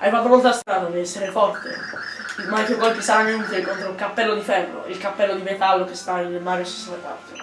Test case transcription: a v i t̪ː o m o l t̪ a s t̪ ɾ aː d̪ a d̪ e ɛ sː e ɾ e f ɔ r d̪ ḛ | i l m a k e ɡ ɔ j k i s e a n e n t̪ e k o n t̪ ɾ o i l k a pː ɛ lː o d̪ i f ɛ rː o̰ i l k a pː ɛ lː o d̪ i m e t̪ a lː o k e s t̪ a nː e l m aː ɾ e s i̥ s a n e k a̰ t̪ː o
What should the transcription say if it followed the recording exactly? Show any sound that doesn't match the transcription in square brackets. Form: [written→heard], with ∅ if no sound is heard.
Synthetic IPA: a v [i→a] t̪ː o m o l t̪ a s t̪ ɾ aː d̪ a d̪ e ɛ sː e ɾ e f ɔ r [d̪→t̪] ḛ | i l m a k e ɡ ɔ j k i s [e→a] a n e n t̪ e k o n t̪ ɾ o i l k a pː ɛ lː o d̪ i f ɛ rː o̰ i l k a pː ɛ lː o d̪ i m e t̪ a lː o k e s t̪ a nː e l m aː ɾ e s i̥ s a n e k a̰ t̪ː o